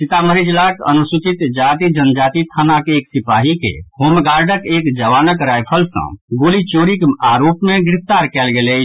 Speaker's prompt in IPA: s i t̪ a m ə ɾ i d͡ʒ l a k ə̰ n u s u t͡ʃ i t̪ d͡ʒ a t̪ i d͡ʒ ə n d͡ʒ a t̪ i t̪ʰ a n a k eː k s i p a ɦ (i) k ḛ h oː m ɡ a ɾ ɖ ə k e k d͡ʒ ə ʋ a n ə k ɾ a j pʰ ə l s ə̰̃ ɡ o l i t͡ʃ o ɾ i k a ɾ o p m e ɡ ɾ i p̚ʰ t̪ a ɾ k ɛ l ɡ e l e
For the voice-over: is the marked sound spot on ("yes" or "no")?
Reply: yes